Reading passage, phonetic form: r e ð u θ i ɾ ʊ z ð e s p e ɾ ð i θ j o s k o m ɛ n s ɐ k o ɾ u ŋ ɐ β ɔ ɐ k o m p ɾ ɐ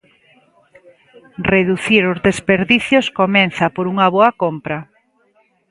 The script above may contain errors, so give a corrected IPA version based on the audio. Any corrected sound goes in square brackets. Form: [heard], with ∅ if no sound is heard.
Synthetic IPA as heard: r e ð u θ i ɾ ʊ z ð e s p e ɾ ð i θ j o s k o m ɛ n [θ] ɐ [p] o ɾ u ŋ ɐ β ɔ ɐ k o m p ɾ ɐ

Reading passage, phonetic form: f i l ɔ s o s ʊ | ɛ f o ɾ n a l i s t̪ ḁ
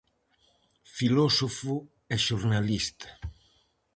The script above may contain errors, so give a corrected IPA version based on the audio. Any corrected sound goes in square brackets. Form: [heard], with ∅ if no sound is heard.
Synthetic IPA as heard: f i l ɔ s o [f] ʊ | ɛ [ʃ] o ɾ n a l i s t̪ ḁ

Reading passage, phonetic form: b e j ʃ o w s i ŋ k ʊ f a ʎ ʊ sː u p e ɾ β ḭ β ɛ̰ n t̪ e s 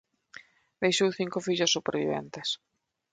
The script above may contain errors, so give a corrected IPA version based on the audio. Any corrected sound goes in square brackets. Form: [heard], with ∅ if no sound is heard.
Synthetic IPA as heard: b e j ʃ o w [θ] i ŋ k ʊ f [i] ʎ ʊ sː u p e ɾ β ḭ β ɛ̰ n t̪ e s

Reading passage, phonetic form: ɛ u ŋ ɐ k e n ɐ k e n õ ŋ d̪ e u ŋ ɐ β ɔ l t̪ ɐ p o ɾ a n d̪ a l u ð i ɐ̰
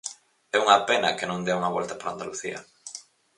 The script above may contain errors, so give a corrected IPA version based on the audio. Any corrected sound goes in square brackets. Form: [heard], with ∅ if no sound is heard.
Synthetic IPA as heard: ɛ u ŋ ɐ [p] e n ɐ k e n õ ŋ d̪ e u ŋ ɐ β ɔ l t̪ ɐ p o ɾ a n d̪ a l u [θ] i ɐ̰

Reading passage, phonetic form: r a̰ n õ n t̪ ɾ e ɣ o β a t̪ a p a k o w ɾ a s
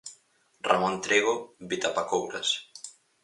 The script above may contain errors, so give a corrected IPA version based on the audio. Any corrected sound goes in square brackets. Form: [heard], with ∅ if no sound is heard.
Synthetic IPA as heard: r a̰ [m] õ n t̪ ɾ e ɣ o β [i] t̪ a p a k o w ɾ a s

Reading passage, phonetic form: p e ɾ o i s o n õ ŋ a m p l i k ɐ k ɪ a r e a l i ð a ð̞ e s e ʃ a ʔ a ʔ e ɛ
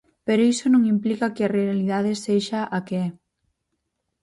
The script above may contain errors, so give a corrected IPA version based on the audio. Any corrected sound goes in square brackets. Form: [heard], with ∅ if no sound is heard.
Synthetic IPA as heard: p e ɾ o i s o n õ ŋ [i] m p l i k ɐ k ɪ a r e a l i ð a ð̞ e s e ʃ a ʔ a [k] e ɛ

